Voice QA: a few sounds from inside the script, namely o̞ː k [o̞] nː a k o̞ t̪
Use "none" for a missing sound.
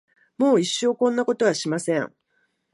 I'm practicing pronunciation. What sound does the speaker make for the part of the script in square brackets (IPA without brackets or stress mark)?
õ̞